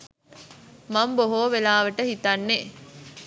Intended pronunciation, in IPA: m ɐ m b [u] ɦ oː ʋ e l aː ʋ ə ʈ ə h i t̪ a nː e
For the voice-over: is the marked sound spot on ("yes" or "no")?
no